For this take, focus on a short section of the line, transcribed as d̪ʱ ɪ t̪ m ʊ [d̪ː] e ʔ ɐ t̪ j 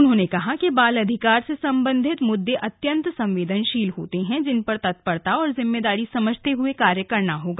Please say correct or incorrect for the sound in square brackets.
correct